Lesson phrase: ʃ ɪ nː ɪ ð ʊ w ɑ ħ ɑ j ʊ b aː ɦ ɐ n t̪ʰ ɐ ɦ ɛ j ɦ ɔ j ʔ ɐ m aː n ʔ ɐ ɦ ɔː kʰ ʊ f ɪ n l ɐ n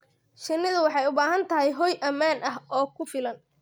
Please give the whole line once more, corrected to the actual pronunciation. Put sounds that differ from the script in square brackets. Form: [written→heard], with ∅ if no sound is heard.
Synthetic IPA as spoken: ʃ ɪ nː ɪ ð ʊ w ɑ ħ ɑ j ʊ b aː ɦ ɐ n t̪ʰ ɐ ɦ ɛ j ɦ ɔ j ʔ ɐ m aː n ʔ ɐ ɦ ɔː kʰ ʊ f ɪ [n→∅] l ɐ n